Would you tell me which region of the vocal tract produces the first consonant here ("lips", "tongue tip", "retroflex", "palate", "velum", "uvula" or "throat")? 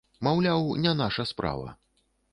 lips